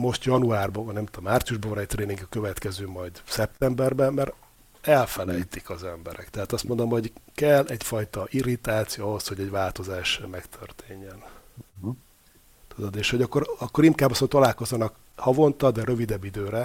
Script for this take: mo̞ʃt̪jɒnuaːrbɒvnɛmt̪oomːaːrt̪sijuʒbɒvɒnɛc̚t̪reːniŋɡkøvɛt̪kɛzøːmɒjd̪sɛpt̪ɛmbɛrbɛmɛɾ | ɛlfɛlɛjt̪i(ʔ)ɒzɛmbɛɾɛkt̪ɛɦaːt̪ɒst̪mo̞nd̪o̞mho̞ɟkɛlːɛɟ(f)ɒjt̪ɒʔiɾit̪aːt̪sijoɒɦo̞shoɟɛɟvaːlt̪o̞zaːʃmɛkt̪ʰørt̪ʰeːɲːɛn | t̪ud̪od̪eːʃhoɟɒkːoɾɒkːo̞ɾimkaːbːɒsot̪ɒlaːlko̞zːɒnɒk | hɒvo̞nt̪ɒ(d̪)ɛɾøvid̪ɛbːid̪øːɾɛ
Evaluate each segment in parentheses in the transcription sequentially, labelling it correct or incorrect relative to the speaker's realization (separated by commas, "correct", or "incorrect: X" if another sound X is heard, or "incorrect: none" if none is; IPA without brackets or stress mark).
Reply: incorrect: k, correct, correct